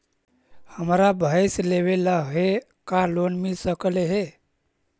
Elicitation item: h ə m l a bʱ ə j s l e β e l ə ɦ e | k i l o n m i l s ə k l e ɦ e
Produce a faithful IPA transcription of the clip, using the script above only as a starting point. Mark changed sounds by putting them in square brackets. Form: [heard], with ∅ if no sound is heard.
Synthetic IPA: h ə m [ɾ] a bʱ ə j s l e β e l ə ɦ e | k [a] l o n m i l s ə k l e ɦ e